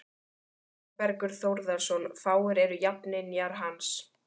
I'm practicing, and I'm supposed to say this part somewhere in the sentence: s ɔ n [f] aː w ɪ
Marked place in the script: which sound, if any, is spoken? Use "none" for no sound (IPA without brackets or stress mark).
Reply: f